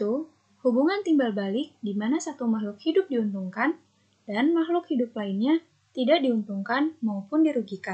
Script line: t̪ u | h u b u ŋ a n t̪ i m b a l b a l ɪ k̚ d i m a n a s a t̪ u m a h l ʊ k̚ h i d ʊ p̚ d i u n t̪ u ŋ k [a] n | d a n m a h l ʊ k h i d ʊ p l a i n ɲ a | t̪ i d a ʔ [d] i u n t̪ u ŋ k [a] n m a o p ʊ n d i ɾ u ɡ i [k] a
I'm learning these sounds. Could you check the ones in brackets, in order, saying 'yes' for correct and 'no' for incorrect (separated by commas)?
yes, yes, yes, yes